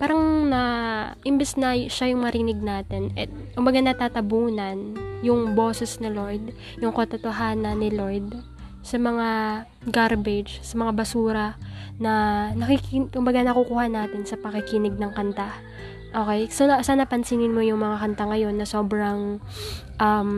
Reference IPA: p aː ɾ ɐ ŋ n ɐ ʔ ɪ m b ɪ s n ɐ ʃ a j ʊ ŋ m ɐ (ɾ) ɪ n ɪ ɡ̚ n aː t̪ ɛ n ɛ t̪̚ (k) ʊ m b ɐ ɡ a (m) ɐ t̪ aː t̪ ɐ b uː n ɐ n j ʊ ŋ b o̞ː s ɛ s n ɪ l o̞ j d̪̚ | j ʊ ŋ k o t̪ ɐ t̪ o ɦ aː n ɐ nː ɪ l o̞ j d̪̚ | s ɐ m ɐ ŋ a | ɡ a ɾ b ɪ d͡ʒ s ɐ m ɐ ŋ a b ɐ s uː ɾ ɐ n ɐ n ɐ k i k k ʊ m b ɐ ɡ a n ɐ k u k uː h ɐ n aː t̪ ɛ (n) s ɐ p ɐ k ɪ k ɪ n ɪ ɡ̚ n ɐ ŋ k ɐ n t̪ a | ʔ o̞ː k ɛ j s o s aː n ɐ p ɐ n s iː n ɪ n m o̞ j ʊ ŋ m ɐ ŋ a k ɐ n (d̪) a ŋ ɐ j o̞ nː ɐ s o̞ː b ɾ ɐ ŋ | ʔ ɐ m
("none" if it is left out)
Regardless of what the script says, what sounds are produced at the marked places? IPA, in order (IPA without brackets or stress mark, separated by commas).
ɾ, k, n, n, t̪